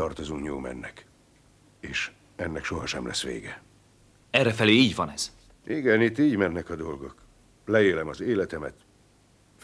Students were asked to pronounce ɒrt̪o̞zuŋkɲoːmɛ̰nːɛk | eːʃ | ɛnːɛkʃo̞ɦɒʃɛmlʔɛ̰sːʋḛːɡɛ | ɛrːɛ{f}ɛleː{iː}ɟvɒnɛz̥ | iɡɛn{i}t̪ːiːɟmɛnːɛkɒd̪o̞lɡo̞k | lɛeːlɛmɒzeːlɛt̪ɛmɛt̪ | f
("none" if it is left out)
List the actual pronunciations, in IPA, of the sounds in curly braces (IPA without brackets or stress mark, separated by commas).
f, iː, i